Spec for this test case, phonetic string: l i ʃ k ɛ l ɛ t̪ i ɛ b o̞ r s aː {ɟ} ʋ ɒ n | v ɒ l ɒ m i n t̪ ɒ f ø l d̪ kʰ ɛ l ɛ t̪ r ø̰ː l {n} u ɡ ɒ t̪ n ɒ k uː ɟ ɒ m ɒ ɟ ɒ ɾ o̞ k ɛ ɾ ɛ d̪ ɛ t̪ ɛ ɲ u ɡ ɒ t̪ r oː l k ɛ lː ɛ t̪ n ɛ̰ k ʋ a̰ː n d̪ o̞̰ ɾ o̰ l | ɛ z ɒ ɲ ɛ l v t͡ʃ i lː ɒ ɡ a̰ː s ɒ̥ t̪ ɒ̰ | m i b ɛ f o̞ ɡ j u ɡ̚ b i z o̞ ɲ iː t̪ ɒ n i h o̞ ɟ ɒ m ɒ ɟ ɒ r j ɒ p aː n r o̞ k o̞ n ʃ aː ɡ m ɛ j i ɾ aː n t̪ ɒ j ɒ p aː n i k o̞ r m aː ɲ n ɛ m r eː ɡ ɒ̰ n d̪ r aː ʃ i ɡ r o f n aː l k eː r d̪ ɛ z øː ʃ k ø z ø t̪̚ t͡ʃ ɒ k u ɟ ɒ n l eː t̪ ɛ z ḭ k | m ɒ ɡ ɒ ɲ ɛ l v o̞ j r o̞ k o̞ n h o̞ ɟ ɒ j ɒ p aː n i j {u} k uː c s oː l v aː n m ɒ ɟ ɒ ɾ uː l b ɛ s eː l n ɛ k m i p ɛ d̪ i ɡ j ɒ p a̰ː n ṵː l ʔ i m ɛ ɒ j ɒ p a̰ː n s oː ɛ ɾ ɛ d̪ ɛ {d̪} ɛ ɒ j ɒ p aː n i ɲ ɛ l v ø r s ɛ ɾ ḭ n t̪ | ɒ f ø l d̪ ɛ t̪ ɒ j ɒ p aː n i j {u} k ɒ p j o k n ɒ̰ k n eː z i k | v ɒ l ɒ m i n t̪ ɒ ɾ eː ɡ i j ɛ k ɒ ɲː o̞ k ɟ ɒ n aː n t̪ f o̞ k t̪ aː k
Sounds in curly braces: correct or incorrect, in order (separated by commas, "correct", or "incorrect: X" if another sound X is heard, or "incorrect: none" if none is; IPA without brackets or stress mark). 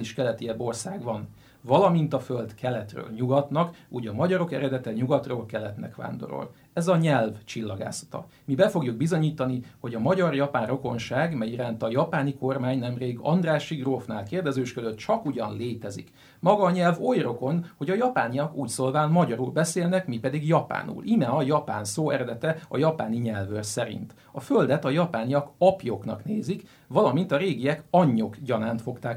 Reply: incorrect: ɡ, incorrect: ɲ, incorrect: ɒ, incorrect: t̪, incorrect: ɒ